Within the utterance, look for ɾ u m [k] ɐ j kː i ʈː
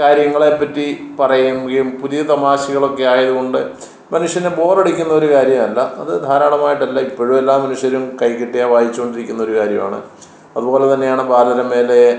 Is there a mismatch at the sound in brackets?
no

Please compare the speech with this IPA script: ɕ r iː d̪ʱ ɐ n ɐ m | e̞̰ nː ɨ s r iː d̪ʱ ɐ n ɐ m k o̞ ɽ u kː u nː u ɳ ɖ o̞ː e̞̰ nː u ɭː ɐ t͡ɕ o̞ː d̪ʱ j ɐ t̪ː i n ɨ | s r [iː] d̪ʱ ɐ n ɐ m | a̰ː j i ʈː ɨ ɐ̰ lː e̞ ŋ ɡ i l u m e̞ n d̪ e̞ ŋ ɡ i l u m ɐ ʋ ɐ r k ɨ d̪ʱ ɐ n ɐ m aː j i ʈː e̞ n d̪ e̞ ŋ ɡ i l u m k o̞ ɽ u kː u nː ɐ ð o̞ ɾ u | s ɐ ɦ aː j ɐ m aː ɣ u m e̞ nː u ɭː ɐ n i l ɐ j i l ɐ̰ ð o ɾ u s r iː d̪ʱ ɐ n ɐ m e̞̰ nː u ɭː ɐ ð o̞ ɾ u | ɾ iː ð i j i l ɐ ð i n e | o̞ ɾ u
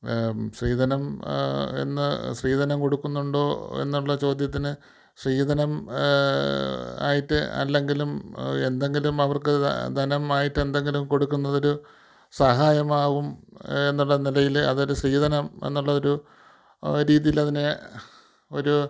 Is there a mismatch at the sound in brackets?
no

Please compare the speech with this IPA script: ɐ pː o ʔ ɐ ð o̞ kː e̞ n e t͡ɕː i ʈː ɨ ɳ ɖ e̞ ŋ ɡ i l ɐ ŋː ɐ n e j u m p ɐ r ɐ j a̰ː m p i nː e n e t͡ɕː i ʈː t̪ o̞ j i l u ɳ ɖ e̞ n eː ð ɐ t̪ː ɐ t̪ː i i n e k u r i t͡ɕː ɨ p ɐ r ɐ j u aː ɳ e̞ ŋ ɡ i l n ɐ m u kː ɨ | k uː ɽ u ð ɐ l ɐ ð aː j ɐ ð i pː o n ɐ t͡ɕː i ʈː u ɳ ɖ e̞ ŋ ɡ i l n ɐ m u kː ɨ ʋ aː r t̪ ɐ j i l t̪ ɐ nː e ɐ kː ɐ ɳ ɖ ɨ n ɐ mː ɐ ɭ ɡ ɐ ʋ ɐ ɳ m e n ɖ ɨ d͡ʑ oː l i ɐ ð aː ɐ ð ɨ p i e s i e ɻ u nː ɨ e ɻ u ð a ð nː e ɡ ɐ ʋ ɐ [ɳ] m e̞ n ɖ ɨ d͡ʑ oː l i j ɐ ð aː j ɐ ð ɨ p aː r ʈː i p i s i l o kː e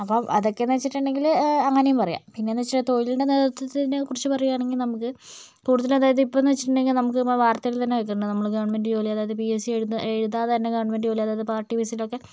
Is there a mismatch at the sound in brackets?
no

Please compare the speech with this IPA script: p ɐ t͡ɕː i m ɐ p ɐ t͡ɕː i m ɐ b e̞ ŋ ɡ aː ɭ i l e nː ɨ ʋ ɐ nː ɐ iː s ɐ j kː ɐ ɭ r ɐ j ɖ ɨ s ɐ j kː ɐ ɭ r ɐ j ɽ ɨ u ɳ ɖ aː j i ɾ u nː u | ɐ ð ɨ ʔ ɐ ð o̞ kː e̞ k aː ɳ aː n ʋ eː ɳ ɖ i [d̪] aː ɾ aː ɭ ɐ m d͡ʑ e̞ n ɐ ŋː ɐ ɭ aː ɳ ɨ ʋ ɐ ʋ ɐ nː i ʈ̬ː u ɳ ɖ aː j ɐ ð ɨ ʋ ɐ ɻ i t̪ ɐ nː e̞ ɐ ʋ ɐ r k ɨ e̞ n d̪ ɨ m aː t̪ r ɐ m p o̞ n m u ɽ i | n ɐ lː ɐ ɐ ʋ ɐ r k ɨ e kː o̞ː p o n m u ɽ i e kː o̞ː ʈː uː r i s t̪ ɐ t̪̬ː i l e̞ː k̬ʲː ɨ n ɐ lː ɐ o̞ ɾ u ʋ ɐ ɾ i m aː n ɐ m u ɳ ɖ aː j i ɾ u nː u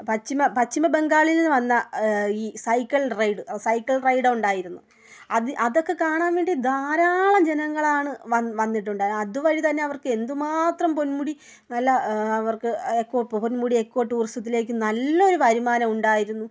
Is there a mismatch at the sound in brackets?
no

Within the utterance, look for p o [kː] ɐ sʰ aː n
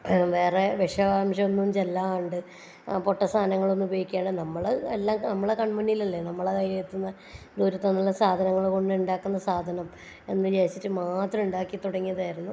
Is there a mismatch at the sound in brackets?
yes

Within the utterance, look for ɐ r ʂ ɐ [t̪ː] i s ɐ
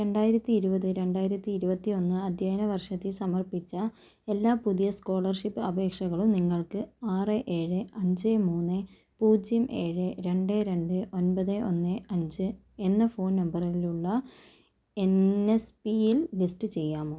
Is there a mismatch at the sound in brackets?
no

